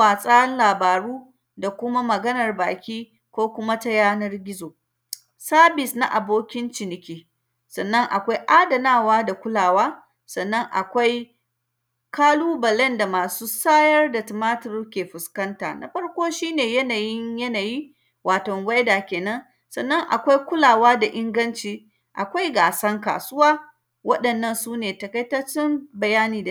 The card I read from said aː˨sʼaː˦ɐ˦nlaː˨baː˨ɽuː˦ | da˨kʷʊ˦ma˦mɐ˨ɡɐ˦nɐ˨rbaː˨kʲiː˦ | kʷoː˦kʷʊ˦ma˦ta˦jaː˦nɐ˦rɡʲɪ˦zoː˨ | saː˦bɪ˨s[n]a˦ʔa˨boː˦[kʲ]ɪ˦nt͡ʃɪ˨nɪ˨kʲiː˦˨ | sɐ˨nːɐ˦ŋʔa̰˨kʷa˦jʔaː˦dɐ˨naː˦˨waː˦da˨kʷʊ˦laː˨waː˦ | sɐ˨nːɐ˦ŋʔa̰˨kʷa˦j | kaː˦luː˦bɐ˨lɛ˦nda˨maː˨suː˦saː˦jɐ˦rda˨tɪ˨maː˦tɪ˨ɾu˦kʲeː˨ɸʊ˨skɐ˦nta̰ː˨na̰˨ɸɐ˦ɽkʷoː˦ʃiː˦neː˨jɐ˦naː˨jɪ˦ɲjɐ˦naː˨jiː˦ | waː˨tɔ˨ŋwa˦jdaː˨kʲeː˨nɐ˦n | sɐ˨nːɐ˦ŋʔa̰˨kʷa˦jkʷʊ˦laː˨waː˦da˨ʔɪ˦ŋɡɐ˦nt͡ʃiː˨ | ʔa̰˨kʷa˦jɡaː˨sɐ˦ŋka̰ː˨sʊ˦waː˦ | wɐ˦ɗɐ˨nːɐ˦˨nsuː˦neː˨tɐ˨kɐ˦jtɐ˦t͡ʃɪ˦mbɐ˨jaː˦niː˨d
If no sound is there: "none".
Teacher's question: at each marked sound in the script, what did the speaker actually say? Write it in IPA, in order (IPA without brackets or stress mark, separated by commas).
n, kʲ